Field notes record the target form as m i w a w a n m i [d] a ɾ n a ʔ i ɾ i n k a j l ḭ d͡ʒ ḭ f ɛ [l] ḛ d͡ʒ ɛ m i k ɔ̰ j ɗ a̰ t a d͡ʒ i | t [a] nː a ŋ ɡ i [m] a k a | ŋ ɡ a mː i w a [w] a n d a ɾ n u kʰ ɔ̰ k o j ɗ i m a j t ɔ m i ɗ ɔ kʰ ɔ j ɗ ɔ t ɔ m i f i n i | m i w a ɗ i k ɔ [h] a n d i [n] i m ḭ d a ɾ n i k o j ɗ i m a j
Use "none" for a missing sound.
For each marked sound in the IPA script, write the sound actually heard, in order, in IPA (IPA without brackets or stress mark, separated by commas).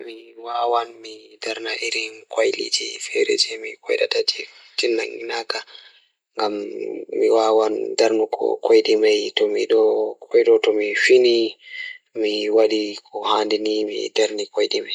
d, ɾ, i, n, w, h, n